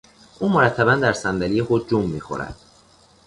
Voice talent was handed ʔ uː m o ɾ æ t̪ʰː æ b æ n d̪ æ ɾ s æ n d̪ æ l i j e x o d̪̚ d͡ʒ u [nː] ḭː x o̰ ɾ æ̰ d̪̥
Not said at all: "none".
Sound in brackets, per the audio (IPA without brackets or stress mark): mː